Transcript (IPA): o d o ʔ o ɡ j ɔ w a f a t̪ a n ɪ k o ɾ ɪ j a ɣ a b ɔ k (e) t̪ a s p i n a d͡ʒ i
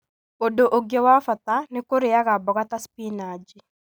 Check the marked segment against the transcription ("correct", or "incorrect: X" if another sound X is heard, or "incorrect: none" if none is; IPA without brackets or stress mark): incorrect: a